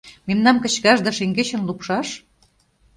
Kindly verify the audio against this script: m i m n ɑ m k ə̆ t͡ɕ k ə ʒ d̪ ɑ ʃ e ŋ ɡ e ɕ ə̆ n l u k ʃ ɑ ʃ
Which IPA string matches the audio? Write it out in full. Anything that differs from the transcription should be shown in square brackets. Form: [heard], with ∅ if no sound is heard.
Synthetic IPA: m [e] m n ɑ m k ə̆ t͡ɕ k [ɑ] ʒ d̪ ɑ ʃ e ŋ ɡ e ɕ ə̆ n l u [p] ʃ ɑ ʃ